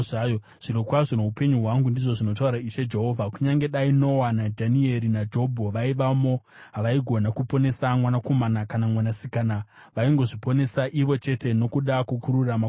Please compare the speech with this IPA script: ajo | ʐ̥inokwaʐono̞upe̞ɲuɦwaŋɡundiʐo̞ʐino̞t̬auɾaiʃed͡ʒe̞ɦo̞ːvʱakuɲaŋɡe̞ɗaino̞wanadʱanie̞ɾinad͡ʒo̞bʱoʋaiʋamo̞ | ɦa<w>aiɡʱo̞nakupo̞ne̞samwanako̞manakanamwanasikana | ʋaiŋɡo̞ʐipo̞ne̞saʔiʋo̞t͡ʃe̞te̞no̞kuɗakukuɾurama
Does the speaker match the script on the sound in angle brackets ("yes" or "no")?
no